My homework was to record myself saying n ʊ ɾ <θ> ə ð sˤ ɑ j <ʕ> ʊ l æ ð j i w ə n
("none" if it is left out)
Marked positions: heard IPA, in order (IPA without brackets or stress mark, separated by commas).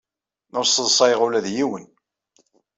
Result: s, ʁ